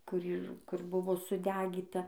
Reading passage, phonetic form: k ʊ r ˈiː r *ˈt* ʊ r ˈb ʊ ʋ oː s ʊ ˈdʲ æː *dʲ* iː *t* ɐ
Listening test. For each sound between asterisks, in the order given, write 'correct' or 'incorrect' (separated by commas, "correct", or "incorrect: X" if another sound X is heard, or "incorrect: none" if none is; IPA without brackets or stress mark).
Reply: incorrect: k, incorrect: ɡʲ, correct